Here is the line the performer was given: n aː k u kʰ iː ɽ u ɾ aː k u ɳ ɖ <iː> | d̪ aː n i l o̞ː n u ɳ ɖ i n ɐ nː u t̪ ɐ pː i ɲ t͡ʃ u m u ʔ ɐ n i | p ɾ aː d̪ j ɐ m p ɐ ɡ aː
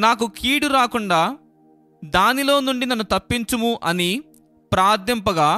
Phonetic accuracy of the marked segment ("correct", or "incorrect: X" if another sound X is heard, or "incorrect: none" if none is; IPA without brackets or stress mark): incorrect: aː